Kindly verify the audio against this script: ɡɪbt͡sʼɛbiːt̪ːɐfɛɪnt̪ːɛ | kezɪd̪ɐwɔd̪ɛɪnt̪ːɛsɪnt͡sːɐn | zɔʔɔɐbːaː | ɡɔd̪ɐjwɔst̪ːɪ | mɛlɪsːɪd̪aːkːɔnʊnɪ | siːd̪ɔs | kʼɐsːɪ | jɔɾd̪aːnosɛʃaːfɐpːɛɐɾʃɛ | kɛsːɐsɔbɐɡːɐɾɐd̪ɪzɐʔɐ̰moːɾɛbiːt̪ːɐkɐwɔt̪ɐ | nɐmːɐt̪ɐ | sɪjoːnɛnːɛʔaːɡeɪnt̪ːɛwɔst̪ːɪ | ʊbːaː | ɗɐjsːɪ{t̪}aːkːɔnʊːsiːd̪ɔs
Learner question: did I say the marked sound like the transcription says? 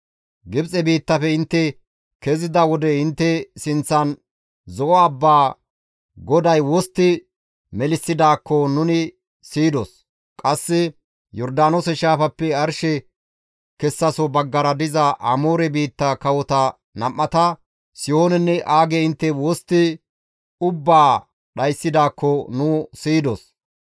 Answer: no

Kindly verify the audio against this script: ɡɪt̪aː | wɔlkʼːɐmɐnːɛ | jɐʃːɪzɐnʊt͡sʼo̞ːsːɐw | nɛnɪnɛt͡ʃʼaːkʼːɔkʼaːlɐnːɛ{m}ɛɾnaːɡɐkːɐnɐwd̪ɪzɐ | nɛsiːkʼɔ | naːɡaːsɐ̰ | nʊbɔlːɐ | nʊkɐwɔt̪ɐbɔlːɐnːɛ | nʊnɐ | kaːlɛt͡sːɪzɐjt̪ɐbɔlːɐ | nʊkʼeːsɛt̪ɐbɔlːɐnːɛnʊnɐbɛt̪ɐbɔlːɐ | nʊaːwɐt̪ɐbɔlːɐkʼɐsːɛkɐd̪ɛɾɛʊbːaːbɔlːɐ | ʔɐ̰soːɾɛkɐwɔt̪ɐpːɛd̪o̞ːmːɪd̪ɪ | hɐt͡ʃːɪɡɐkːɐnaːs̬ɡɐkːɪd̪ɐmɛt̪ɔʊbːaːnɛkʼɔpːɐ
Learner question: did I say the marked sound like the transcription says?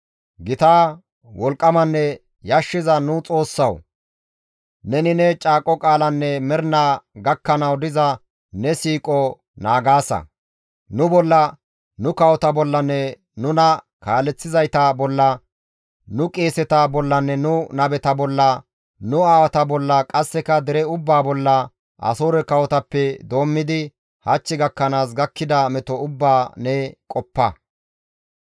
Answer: yes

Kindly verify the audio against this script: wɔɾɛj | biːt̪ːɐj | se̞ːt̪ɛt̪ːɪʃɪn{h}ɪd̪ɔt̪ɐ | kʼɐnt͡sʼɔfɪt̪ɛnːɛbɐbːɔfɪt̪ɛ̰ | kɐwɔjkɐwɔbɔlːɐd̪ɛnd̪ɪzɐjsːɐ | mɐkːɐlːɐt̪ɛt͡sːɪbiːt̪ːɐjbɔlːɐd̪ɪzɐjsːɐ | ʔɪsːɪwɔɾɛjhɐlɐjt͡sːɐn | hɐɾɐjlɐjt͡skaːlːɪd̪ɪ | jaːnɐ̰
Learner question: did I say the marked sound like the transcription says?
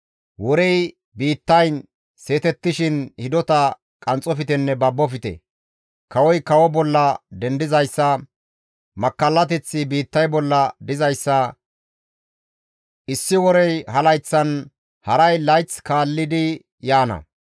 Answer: yes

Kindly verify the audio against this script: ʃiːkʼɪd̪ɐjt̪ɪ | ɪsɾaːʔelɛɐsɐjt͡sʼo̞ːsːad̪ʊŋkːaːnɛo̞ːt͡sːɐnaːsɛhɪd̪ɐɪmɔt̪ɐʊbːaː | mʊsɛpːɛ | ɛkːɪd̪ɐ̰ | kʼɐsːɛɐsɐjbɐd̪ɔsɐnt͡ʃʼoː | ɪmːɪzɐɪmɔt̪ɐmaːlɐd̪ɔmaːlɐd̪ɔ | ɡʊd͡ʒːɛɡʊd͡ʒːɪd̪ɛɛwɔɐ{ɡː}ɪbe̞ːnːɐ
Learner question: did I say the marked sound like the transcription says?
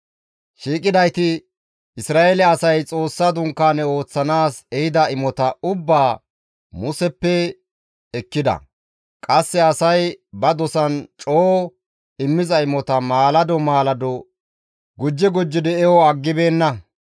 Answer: yes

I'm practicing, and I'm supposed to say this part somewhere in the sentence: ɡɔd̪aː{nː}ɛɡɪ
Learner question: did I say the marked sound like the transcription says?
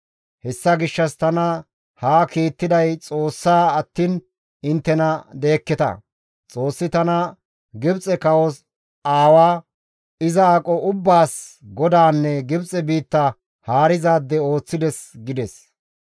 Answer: yes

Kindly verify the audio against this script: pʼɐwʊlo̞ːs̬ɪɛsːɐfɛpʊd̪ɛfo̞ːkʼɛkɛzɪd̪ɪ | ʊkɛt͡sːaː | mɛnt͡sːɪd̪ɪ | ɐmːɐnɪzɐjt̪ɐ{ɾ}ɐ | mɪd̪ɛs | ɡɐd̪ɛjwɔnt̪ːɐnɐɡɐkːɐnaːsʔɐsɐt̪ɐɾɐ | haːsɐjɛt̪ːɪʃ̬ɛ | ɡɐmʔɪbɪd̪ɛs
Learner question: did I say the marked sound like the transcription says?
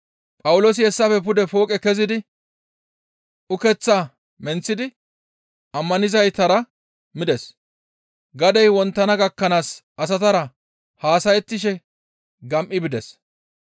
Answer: yes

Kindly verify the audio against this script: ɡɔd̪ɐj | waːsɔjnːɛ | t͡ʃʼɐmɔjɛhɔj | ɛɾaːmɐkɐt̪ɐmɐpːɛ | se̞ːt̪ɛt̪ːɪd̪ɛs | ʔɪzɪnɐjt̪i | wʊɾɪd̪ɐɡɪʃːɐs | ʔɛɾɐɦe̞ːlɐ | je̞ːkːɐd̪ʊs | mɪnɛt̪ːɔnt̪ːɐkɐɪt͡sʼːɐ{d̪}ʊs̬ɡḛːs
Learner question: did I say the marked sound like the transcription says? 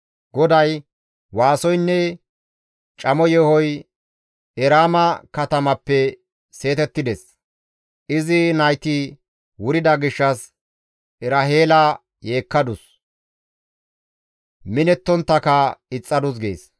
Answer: yes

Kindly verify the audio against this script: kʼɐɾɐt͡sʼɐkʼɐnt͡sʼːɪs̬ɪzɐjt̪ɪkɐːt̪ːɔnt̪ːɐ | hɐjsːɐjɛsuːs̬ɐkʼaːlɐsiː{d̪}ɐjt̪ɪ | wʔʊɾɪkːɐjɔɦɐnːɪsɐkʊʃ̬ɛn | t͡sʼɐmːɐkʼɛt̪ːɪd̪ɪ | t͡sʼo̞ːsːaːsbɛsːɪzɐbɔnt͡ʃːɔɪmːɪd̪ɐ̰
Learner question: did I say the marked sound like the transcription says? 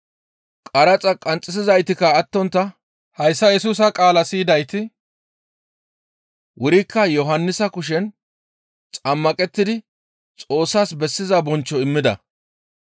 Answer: yes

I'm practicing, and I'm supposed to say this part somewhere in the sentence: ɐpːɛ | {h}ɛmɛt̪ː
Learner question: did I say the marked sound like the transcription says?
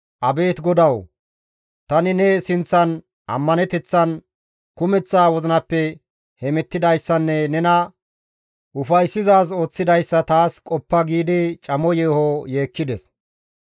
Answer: yes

